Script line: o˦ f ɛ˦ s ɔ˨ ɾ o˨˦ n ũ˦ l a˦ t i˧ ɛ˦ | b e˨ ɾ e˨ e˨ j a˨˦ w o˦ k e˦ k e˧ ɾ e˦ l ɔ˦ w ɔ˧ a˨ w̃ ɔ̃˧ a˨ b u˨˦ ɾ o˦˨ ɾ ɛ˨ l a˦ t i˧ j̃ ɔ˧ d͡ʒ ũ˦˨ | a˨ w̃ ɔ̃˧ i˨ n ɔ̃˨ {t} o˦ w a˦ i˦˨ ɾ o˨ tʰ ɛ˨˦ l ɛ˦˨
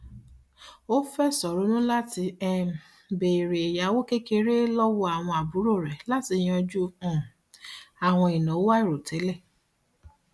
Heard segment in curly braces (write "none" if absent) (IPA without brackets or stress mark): none